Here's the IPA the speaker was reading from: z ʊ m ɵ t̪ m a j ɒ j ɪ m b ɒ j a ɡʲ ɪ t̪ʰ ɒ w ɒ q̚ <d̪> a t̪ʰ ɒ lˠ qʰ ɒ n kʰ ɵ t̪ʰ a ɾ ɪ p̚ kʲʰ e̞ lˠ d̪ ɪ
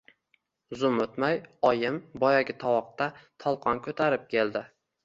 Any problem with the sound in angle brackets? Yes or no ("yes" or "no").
yes